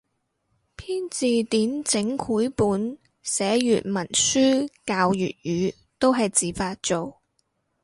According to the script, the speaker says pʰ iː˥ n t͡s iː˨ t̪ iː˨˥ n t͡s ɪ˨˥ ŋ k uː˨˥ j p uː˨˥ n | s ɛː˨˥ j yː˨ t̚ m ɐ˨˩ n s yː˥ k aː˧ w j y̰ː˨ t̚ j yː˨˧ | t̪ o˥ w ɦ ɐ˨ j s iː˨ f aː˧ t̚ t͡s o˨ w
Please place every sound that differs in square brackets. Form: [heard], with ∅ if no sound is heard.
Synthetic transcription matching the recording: pʰ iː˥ n t͡s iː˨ t̪ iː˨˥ n t͡s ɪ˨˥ ŋ [kʰ] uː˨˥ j p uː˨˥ n | s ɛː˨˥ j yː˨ t̚ m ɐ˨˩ n s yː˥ k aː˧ w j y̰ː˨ t̚ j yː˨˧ | t̪ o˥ w ɦ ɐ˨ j [t͡s] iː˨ f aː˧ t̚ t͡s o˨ w